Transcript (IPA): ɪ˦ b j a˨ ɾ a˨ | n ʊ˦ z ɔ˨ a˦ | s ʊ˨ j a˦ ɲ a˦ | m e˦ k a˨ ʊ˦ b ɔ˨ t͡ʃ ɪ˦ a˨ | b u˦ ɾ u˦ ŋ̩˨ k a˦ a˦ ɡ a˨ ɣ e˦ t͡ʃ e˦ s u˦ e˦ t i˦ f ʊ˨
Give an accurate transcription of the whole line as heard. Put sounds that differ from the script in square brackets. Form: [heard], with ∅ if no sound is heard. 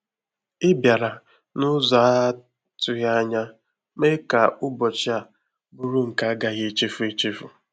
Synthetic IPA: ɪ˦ b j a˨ ɾ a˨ | n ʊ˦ z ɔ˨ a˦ | [t] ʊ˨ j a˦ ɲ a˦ | m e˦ k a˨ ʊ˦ b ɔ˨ t͡ʃ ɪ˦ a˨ | b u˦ ɾ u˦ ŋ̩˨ k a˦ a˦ ɡ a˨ ɣ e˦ t͡ʃ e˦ [f] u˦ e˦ [t͡ʃ] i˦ f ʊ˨